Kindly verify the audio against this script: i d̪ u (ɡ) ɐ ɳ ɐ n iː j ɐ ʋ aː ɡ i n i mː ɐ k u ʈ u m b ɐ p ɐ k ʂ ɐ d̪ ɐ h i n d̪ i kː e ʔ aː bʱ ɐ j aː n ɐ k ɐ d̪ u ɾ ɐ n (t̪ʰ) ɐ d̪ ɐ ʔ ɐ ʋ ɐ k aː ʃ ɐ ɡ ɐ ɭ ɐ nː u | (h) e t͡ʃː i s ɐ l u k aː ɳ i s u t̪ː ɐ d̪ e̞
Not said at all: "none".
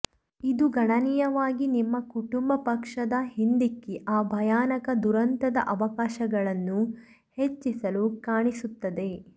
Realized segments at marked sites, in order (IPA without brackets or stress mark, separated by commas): ɡ, t̪, h